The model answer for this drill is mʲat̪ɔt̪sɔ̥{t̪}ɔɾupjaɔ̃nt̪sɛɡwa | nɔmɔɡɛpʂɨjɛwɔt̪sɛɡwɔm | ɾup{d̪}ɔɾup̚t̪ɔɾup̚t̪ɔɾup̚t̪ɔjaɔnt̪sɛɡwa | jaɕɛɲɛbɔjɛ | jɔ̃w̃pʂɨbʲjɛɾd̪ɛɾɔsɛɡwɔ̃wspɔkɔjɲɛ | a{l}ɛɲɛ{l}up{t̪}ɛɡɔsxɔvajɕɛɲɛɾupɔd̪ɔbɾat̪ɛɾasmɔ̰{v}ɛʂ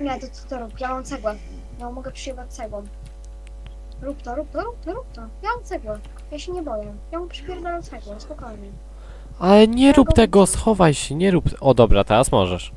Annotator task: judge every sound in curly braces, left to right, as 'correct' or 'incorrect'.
correct, incorrect: t̪, correct, incorrect: ɾ, correct, incorrect: ʐ

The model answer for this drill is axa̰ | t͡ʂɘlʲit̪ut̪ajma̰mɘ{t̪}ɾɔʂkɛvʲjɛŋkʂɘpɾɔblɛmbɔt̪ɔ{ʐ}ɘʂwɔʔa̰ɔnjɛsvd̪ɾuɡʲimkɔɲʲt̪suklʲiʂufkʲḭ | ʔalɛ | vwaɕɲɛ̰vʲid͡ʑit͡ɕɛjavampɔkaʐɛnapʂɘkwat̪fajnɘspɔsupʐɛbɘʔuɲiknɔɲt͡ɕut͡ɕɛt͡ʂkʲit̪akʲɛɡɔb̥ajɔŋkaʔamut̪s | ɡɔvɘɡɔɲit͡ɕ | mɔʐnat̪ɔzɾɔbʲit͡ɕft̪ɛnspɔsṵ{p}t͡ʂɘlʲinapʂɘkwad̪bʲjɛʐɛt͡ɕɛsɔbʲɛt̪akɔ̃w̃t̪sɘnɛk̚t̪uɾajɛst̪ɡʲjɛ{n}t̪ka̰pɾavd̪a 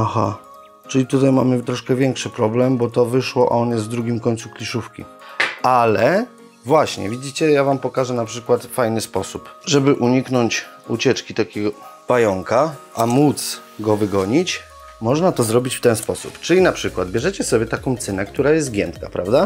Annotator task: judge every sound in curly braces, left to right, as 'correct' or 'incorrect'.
correct, incorrect: v, correct, correct

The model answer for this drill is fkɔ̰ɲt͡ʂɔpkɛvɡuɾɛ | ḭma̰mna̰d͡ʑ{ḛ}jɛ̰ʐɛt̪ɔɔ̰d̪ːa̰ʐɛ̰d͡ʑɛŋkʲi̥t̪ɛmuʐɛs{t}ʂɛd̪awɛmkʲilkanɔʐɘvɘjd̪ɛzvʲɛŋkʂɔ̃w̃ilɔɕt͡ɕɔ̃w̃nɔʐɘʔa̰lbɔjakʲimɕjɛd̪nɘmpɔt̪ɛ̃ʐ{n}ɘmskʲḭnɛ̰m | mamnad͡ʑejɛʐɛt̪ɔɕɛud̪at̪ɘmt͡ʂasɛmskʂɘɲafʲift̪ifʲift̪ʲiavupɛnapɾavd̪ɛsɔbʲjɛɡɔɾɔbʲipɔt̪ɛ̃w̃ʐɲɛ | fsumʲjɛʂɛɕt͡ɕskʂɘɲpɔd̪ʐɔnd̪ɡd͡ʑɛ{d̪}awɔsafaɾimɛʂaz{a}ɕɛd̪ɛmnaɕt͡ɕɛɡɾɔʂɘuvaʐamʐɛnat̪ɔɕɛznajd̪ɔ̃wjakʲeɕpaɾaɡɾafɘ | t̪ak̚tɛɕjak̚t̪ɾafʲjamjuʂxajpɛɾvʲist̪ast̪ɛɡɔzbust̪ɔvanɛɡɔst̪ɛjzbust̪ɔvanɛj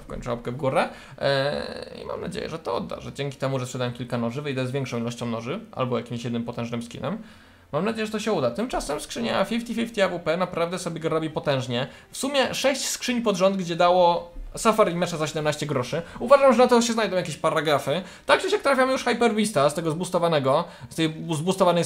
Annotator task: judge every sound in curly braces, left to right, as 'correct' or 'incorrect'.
correct, incorrect: p, correct, correct, correct

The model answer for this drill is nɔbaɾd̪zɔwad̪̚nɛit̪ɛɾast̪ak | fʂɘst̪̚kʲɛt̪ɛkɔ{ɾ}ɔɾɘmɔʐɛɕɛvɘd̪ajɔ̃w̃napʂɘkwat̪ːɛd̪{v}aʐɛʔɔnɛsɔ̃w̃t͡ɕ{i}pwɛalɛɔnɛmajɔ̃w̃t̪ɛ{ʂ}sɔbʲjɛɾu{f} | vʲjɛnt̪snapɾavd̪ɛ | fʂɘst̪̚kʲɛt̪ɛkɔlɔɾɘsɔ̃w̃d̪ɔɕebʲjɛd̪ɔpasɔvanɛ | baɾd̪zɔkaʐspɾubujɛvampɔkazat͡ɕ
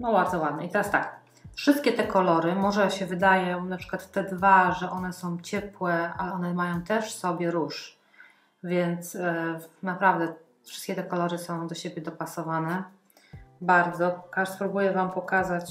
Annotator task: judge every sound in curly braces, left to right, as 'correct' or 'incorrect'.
incorrect: l, correct, incorrect: ɛ, correct, incorrect: ʂ

